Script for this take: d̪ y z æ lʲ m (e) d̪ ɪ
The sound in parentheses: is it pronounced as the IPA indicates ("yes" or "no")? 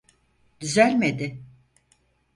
yes